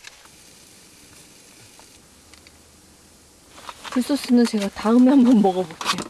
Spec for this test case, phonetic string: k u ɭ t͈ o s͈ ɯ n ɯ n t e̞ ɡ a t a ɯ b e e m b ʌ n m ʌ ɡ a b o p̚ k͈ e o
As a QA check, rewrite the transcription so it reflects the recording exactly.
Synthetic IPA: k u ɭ s͈ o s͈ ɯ n ɯ n t͡ɕ e̞ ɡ a t a ɯ m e a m b ʌ n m ʌ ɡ ʌ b o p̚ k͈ e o